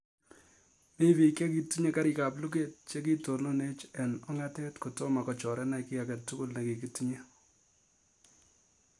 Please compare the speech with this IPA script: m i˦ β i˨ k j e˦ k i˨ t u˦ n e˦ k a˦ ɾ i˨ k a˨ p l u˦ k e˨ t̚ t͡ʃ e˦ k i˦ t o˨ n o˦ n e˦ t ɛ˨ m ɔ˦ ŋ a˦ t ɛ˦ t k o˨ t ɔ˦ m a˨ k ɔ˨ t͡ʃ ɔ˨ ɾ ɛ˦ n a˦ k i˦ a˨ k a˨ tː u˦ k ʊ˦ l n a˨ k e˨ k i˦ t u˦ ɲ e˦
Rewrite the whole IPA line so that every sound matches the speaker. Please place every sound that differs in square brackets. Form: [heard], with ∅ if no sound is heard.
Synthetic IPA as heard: m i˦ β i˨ k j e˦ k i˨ t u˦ [ɲ] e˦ k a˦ ɾ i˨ k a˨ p l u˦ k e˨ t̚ t͡ʃ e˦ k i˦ t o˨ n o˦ n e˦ [t͡ʃ] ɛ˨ [n] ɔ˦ ŋ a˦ t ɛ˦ t k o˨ t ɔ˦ m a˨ k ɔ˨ t͡ʃ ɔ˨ ɾ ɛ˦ n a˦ k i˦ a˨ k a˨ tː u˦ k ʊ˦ l n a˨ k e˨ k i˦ t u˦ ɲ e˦

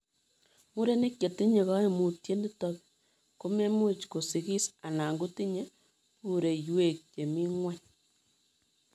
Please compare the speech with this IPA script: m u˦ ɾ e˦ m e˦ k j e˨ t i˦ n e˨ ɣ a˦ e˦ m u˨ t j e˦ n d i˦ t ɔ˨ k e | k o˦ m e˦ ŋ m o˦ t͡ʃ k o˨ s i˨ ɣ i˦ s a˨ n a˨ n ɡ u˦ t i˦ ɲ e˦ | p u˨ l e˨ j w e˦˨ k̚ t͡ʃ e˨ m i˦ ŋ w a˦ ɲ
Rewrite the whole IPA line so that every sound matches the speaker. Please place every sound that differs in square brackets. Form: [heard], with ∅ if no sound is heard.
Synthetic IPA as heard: m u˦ ɾ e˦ [n] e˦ k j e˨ t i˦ [ɲ] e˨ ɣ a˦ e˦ m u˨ t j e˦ n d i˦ t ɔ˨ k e | k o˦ m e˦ [∅] m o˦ t͡ʃ k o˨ s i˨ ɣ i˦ s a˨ n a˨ [ŋ] ɡ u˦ t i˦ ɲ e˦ | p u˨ [ɾ] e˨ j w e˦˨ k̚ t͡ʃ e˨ m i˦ ŋ w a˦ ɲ

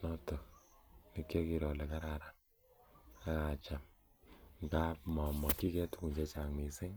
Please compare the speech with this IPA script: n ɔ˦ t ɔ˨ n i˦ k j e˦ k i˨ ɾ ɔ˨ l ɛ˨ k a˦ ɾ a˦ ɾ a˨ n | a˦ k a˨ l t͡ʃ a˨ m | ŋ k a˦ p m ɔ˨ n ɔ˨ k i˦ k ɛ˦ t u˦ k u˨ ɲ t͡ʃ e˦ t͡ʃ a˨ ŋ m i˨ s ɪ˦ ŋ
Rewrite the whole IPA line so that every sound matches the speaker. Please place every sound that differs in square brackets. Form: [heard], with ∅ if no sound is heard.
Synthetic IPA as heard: n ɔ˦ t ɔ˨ n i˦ k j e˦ k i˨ ɾ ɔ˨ l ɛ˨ k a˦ ɾ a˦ ɾ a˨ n | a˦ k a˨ [∅] t͡ʃ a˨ m | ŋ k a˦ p m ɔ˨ [m] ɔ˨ k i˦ k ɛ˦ t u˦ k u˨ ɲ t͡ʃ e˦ t͡ʃ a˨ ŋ m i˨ s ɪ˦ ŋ

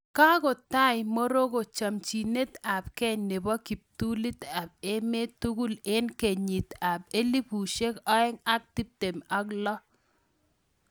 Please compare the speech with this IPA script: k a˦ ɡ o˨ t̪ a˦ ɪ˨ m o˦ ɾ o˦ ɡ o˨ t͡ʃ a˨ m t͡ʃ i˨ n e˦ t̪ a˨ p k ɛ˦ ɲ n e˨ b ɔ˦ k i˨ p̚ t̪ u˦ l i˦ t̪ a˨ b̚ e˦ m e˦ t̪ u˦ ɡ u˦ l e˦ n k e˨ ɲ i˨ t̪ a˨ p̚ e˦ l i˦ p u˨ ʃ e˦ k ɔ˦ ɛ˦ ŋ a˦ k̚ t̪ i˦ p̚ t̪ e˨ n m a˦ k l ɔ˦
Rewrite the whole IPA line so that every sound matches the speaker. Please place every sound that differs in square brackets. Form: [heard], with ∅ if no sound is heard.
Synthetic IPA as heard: k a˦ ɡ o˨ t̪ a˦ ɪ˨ m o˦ ɾ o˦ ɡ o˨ t͡ʃ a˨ m t͡ʃ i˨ n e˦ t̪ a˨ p k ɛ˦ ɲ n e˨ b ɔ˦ k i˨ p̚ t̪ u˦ l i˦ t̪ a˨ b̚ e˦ m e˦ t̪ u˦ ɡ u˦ l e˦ n k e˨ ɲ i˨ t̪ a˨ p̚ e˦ l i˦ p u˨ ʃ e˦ k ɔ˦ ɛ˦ ŋ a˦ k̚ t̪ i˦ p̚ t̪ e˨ [∅] m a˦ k l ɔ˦

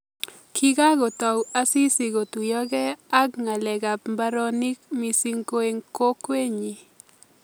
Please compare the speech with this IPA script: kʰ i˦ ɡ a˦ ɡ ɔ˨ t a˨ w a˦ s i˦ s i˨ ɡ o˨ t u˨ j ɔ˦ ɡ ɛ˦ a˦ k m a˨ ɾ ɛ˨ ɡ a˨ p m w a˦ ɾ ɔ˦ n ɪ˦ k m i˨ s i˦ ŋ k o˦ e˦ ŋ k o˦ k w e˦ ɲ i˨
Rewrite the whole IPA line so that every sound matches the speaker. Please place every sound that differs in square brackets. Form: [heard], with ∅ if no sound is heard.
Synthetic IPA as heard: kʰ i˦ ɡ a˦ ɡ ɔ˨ t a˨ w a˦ s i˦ s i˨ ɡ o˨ t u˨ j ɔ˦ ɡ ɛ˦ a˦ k [ŋ] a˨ [l] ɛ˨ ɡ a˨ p m [b] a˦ ɾ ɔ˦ n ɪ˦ k m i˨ s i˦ ŋ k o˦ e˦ ŋ k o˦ k w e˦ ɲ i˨

